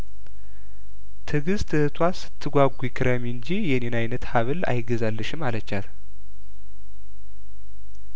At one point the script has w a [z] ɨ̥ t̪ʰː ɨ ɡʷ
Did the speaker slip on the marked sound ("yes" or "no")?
yes